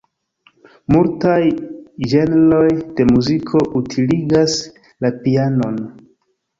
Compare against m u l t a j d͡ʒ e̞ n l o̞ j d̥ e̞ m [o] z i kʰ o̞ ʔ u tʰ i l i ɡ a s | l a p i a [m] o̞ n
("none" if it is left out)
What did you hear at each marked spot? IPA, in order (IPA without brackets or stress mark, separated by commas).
u, n